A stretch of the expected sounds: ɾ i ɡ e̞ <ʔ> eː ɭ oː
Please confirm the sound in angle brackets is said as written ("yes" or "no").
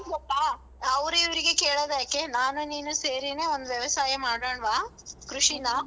no